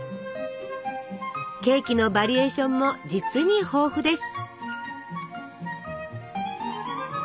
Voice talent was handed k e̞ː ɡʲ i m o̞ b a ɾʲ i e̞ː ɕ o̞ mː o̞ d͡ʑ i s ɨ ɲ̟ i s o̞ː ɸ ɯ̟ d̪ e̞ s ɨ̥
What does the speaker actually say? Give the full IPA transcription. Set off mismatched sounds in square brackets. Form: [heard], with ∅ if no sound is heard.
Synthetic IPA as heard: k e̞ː [kʲ] i [n] o̞ b a ɾʲ i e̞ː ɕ [õ̞] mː o̞ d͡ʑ i [t͡s] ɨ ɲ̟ i [h] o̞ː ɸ ɯ̟ d̪ e̞ s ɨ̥